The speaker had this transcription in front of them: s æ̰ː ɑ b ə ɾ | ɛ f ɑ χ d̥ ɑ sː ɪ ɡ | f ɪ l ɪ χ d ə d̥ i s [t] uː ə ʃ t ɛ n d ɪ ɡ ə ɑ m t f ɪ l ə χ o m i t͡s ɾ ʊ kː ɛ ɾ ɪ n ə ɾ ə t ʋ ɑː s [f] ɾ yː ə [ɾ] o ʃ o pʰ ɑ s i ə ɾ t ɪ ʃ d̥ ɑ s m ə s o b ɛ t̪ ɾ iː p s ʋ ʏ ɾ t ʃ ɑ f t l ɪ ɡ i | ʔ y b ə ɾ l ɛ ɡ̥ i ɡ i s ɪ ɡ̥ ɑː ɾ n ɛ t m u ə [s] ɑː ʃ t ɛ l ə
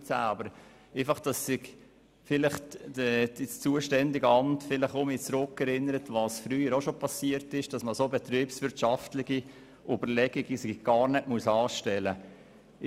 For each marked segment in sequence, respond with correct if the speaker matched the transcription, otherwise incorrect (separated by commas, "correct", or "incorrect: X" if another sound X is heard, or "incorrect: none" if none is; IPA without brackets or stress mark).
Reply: incorrect: t͡s, correct, correct, correct